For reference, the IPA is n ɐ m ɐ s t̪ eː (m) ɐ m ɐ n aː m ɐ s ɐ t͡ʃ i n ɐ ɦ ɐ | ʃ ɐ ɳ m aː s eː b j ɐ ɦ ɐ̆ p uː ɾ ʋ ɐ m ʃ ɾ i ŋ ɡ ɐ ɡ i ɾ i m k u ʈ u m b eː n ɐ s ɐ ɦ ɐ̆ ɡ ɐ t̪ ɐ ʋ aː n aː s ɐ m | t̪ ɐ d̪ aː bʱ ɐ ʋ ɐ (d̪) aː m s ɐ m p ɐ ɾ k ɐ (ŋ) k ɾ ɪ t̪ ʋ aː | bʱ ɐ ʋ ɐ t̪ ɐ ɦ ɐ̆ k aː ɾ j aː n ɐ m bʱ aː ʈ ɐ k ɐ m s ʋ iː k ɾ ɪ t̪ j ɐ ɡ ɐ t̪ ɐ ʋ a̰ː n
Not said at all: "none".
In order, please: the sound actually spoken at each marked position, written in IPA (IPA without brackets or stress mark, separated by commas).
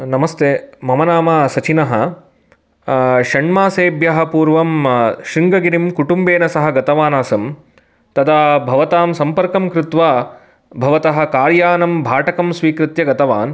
m, t̪, m